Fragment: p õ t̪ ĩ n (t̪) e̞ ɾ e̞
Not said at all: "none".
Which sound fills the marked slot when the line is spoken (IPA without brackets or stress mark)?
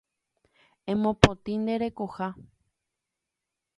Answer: d̪